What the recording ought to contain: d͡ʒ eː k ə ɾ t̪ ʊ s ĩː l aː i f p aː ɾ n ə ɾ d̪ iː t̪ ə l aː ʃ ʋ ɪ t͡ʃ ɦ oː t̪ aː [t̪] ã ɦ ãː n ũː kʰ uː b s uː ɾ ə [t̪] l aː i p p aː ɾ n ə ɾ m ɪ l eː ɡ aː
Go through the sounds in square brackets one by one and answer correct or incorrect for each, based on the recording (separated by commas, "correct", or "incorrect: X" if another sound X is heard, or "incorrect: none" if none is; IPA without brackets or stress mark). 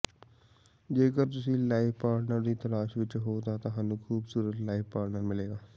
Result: correct, correct